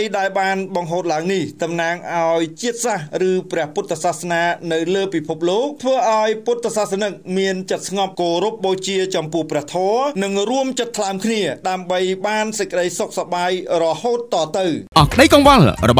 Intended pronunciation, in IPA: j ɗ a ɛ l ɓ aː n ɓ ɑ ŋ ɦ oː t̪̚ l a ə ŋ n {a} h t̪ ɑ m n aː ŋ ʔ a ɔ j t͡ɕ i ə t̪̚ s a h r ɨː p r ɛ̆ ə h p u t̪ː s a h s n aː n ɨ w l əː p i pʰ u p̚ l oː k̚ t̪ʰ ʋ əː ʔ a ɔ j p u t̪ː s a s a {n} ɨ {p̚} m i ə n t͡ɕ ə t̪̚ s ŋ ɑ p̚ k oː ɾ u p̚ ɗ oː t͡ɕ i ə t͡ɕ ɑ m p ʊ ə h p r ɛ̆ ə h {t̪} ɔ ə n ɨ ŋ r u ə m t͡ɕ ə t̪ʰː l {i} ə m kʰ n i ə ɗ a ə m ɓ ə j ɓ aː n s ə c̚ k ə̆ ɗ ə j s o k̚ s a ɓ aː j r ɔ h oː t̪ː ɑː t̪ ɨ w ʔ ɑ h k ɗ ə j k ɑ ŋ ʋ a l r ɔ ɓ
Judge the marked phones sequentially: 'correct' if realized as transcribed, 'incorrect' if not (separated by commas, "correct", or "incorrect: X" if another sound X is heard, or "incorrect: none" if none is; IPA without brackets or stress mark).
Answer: incorrect: i, correct, incorrect: k̚, incorrect: t̪ʰ, incorrect: a